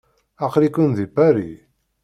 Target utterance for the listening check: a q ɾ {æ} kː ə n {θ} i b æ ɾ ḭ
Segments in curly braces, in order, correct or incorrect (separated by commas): incorrect, incorrect